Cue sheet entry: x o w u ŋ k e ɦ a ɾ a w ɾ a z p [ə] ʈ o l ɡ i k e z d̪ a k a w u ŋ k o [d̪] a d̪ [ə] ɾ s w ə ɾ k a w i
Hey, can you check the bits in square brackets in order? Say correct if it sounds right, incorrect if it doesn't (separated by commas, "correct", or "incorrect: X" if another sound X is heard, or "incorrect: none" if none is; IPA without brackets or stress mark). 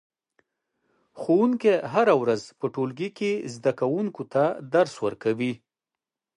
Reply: correct, incorrect: t̪, incorrect: a